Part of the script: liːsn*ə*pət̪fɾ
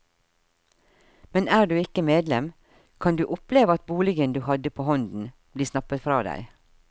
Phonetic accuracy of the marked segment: incorrect: ɑ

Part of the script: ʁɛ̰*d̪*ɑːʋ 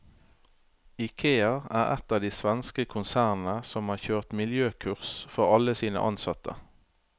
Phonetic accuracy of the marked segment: incorrect: t̪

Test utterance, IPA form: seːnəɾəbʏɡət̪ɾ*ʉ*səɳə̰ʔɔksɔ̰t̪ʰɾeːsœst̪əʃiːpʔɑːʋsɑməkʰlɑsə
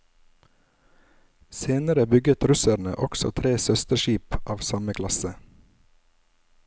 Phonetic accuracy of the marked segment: correct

